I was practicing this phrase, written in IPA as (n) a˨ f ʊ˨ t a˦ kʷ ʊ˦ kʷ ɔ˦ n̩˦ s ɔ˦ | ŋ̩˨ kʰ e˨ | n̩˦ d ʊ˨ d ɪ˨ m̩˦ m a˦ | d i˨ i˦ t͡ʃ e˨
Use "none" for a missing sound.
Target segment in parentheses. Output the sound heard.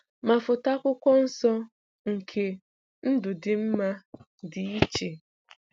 m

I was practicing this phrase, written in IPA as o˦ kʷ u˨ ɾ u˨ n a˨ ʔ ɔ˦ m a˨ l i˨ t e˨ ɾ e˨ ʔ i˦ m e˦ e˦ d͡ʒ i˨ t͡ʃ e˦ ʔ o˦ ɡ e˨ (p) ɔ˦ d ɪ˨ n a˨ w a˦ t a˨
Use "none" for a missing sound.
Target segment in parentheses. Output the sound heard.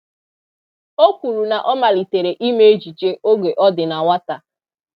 ʔ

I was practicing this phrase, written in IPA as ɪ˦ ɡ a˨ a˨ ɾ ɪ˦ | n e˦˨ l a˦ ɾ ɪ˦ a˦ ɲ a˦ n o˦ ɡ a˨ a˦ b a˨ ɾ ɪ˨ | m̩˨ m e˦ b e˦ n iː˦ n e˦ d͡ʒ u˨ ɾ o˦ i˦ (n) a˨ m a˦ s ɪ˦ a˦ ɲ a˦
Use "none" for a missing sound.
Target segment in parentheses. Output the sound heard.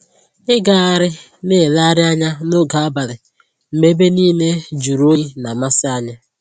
n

